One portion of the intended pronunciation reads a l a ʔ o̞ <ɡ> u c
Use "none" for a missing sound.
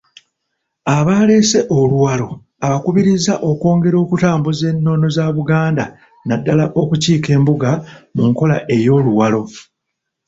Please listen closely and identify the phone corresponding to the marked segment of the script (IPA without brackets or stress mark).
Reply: k